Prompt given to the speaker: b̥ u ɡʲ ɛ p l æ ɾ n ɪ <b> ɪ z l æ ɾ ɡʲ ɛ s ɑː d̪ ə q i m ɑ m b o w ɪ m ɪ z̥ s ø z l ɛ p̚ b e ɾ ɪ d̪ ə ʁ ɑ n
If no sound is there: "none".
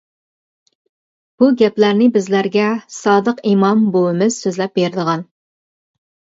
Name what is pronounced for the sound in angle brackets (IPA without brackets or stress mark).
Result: b